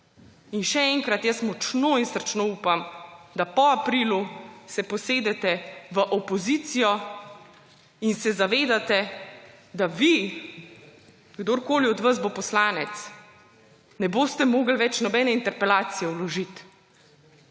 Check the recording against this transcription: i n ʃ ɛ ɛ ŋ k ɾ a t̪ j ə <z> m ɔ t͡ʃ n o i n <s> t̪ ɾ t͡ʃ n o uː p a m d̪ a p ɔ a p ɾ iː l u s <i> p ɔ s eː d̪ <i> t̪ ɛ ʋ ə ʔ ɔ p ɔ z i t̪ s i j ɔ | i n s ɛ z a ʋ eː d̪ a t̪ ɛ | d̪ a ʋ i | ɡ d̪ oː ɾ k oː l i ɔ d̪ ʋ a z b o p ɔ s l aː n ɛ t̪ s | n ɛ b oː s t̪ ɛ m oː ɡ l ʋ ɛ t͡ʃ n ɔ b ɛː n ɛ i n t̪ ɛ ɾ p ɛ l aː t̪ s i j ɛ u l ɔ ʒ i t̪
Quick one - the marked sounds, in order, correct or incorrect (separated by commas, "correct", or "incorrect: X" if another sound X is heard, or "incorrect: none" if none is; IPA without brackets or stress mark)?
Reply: incorrect: s, correct, incorrect: ɛ, incorrect: ɛ